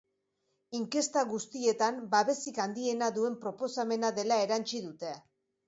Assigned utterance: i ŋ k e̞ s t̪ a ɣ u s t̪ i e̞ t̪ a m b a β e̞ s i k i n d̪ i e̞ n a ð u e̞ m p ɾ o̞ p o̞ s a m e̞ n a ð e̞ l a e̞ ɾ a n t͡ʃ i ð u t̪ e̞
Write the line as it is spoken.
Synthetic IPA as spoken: i ŋ k e̞ s t̪ a ɣ u s t̪ i e̞ t̪ a m b a β e̞ s i k a n d̪ i e̞ n a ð u e̞ m p ɾ o̞ p o̞ s a m e̞ n a ð e̞ l a e̞ ɾ a n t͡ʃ i ð u t̪ e̞